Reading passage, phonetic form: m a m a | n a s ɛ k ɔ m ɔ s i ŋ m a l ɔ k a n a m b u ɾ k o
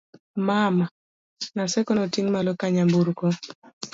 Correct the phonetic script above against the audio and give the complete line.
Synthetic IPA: m a m a | n a s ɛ k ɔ n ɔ t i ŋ m a l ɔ k a ɲ a m b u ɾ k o